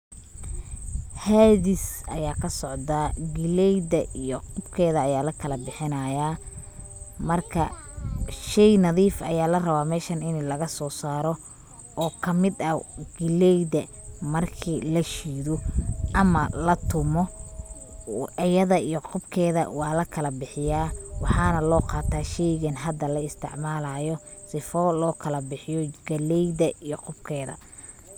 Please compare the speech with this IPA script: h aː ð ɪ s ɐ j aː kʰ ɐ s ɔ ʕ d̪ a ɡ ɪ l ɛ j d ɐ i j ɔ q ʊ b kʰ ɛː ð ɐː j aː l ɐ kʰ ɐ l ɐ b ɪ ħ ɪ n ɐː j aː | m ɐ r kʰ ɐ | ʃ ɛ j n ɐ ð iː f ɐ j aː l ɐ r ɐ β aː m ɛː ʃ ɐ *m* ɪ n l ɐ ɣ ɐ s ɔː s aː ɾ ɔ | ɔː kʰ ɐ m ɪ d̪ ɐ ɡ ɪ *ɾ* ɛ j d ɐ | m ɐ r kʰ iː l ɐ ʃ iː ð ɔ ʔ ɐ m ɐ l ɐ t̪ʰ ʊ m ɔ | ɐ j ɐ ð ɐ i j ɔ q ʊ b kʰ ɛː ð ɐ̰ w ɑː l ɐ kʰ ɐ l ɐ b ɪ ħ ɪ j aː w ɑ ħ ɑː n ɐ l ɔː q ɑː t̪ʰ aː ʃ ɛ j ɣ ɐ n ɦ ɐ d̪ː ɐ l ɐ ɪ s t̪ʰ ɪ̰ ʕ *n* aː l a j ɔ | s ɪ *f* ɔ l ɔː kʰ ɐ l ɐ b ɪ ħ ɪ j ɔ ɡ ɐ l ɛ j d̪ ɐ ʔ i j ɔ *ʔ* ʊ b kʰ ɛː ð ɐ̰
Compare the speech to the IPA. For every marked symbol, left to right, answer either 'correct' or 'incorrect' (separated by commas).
incorrect, incorrect, incorrect, correct, incorrect